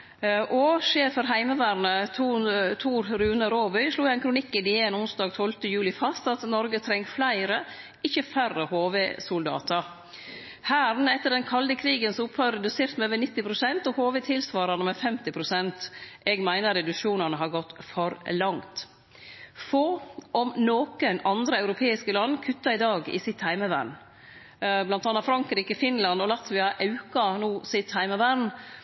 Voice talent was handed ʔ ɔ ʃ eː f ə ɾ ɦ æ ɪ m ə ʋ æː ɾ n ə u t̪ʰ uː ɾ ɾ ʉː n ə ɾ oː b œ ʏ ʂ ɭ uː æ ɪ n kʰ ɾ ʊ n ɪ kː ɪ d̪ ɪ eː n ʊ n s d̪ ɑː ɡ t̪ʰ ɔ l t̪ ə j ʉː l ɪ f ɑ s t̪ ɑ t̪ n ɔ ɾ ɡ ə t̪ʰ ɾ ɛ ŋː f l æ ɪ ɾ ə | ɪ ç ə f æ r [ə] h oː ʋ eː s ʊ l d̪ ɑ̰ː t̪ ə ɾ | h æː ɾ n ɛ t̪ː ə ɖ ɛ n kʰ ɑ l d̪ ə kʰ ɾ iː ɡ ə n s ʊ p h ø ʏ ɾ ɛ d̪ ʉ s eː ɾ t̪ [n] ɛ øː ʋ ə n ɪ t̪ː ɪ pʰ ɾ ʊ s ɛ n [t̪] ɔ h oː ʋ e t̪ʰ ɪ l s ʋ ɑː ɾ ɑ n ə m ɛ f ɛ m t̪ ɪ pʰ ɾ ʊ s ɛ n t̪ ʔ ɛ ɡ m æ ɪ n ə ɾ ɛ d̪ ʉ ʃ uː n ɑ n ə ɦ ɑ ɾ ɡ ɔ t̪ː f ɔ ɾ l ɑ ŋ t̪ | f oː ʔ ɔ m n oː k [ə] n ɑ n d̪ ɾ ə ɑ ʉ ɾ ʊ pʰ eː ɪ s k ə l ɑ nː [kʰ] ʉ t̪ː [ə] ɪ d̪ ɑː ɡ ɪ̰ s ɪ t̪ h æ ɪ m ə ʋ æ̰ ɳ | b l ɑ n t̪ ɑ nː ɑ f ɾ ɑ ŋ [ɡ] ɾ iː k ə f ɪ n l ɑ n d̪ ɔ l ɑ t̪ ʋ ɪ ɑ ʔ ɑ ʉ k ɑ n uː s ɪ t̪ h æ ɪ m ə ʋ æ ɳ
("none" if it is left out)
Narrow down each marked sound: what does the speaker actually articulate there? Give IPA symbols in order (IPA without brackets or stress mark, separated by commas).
ə, m, t̪, ə, kʰ, ɑ, k